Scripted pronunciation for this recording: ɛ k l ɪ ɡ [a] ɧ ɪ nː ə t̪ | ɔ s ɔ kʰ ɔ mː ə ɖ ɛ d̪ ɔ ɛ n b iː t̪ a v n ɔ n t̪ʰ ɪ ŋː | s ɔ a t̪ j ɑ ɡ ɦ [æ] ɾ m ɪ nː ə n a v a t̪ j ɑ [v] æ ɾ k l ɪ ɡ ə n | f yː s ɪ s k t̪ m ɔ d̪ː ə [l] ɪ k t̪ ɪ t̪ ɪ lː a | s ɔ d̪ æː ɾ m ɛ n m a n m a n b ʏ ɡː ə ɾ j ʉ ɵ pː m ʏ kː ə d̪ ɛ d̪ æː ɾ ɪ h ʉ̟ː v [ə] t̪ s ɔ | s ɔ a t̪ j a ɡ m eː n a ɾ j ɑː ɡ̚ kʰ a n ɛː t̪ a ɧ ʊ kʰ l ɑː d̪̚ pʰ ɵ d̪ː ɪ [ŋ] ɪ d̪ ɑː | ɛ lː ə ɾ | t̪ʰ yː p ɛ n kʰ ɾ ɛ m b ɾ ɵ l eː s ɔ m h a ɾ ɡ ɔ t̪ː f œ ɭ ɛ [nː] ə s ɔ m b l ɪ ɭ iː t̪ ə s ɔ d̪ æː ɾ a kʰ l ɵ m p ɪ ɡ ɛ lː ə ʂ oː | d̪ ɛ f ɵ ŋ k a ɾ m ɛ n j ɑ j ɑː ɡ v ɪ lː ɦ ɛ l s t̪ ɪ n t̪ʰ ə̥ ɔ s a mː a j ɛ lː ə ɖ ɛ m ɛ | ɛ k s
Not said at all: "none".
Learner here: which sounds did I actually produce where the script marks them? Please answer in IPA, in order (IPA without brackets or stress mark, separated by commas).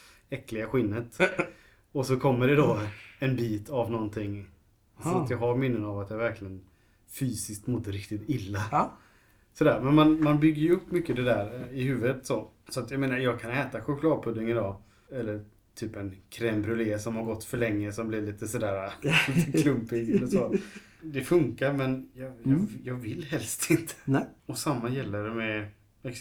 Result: a, a, v, ɾ, ə, ŋ, ŋː